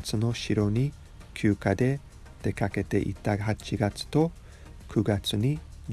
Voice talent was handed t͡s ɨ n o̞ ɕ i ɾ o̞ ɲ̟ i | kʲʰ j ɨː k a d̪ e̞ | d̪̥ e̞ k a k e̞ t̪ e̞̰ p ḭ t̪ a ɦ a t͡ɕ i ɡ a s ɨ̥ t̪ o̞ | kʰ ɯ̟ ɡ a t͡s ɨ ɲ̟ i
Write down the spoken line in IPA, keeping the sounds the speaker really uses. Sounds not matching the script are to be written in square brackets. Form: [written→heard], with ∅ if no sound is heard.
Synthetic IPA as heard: t͡s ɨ n o̞ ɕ i ɾ o̞ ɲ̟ i | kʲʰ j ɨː k a d̪ e̞ | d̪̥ e̞ k a k e̞ t̪ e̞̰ [p→ʔ] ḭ t̪ a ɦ a t͡ɕ i ɡ a [s→t͡s] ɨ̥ t̪ o̞ | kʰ ɯ̟ ɡ a t͡s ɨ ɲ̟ i